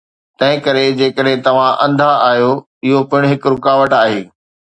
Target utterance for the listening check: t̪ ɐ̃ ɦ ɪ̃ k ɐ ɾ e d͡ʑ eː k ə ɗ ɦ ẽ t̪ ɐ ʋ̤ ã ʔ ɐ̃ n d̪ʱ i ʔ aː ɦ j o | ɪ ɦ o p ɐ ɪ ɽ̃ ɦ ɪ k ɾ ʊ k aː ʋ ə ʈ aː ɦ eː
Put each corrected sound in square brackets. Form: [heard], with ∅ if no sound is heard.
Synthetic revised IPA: t̪ ɐ̃ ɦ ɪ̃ k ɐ ɾ e d͡ʑ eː k ə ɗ ɦ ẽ t̪ ɐ ʋ̤ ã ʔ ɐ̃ n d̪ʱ [a] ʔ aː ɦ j o | ɪ ɦ o p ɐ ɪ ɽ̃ ɦ ɪ k ɾ ʊ k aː ʋ ə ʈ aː ɦ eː